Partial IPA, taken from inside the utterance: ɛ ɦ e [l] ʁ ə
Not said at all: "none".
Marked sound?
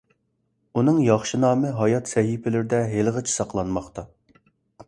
l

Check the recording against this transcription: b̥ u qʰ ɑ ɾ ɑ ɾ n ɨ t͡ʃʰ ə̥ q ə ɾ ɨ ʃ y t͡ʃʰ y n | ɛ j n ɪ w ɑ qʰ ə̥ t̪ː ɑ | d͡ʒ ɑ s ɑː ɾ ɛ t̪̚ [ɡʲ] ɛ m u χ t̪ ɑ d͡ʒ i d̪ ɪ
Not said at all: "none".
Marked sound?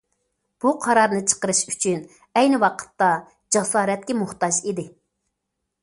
kʲ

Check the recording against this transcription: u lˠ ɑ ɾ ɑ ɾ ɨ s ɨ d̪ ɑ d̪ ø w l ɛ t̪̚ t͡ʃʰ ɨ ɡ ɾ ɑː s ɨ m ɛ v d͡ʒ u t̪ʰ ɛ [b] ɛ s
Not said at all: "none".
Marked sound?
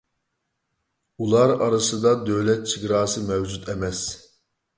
m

